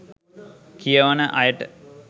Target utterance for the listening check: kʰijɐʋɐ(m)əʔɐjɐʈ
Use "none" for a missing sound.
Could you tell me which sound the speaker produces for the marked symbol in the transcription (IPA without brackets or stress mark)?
n